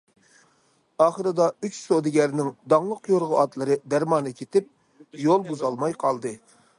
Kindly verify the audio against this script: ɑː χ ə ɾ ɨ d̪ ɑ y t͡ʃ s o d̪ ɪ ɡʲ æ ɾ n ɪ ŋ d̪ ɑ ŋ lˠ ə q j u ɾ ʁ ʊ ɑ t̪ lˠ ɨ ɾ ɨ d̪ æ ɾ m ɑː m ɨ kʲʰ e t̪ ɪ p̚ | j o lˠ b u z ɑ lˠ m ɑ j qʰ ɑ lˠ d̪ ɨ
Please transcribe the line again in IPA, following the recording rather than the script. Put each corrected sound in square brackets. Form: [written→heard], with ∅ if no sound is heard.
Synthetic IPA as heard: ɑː χ ə ɾ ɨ d̪ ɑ y t͡ʃ s o d̪ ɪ ɡʲ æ ɾ n ɪ ŋ d̪ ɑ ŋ lˠ ə q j [u→o] ɾ ʁ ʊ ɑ t̪ lˠ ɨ ɾ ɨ d̪ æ ɾ m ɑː [m→n] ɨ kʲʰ e t̪ ɪ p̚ | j o lˠ b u z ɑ lˠ m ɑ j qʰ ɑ lˠ d̪ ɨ

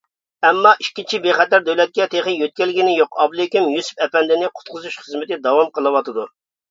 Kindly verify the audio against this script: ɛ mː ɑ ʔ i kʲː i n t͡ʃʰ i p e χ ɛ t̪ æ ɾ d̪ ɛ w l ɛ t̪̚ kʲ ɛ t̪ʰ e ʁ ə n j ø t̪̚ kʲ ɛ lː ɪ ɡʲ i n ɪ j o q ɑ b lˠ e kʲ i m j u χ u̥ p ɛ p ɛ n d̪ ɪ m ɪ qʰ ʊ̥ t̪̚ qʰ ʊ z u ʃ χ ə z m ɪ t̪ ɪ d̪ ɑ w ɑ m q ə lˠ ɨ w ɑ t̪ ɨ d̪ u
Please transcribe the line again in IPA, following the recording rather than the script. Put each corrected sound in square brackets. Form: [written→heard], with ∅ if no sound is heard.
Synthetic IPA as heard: ɛ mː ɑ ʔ i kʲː i n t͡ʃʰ i [p→b] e χ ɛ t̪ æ ɾ d̪ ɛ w l ɛ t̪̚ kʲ ɛ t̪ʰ e [ʁ→χ] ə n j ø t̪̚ kʲ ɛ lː ɪ ɡʲ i n ɪ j o q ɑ b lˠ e kʲ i m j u [χ→s] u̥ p ɛ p ɛ n d̪ ɪ [m→n] ɪ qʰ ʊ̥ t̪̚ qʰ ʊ z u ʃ χ ə z m ɪ t̪ ɪ d̪ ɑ w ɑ m q ə lˠ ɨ w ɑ t̪ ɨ d̪ u

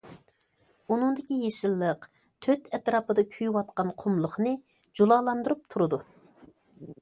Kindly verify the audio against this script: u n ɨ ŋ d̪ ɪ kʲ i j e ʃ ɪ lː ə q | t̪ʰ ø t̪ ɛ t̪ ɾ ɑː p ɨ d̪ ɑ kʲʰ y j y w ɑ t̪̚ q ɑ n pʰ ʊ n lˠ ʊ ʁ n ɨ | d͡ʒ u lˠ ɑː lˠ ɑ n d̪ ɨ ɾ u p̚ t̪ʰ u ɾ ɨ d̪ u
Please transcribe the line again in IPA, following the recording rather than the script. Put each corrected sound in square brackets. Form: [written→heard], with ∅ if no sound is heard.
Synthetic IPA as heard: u n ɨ ŋ d̪ ɪ kʲ i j e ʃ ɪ lː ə q | t̪ʰ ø t̪ ɛ t̪ ɾ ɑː p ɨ d̪ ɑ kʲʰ y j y w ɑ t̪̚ q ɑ n [pʰ→qʰ] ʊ [n→m] lˠ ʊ [ʁ→χ] n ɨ | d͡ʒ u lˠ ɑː lˠ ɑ n d̪ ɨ ɾ u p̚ t̪ʰ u ɾ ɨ d̪ u

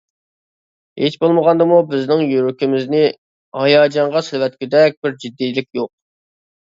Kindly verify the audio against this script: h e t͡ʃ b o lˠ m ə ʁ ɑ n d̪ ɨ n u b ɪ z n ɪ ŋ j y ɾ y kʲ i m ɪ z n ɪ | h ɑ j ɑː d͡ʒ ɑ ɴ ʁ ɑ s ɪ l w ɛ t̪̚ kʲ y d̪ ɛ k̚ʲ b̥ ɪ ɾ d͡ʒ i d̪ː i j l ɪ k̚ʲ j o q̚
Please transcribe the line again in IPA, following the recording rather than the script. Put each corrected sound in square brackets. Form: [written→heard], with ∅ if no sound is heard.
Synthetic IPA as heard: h e t͡ʃ b o lˠ m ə ʁ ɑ n d̪ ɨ [n→m] u b ɪ z n ɪ ŋ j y ɾ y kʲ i m ɪ z n ɪ | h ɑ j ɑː d͡ʒ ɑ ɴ ʁ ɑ s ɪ l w ɛ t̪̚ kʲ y d̪ ɛ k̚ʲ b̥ ɪ ɾ d͡ʒ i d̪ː i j l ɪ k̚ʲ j o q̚

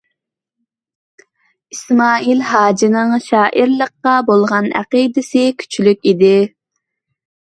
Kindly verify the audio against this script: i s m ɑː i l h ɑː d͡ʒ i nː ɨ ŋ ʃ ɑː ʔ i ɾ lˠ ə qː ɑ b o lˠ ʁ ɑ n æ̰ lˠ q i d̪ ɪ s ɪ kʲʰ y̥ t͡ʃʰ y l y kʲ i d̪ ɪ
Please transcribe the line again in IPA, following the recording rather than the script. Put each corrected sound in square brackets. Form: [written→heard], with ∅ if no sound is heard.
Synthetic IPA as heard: i s m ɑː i l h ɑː d͡ʒ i [nː→n] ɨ ŋ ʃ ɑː ʔ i ɾ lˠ ə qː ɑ b o lˠ ʁ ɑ n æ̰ [lˠ→∅] q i d̪ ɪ s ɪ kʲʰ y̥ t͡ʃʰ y l y kʲ i d̪ ɪ

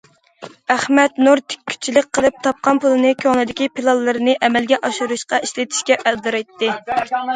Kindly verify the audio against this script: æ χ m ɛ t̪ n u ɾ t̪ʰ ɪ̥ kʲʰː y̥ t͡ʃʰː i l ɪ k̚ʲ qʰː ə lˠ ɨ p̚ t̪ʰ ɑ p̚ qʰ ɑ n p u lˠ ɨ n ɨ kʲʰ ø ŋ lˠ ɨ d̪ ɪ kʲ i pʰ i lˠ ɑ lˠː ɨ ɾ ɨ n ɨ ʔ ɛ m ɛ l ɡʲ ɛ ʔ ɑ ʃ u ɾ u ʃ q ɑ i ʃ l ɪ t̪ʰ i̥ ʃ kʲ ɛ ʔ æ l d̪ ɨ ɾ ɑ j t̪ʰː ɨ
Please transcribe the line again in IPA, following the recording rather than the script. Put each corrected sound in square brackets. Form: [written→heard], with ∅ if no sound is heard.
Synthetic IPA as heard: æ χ m ɛ t̪ n u ɾ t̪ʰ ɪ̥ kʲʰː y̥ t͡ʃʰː i l ɪ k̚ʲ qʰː ə lˠ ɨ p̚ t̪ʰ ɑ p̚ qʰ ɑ n p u lˠ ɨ n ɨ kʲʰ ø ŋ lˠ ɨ d̪ ɪ kʲ i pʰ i lˠ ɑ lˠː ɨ ɾ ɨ n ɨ ʔ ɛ m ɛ l ɡʲ ɛ ʔ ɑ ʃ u ɾ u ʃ q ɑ i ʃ l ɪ t̪ʰ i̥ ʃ kʲ ɛ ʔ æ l d̪ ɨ ɾ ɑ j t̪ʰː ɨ

